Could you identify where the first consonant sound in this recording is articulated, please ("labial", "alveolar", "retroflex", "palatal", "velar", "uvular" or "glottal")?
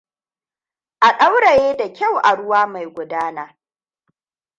glottal